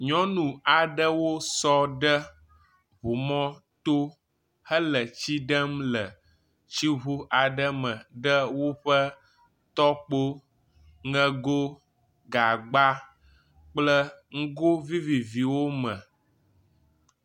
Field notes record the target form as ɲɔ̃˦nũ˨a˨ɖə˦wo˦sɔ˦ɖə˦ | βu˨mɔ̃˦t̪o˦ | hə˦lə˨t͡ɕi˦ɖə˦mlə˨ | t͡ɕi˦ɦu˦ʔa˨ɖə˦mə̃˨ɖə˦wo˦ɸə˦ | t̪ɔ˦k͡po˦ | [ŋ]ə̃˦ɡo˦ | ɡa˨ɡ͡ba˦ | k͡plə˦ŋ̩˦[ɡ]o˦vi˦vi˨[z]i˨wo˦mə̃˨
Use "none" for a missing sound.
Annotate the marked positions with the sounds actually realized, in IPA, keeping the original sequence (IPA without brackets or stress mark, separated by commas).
ŋ, ɡ, v